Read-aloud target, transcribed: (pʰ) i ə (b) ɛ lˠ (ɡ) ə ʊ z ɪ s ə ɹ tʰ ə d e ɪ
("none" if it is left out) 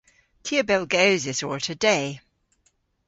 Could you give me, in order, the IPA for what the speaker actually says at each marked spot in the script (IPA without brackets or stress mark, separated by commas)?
tʰ, b, ɡ